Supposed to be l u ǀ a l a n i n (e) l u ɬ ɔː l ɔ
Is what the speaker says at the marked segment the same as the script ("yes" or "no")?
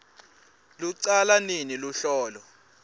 no